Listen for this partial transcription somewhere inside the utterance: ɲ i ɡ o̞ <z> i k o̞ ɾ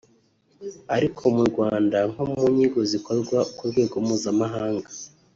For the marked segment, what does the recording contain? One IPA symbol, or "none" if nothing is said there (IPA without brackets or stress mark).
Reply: z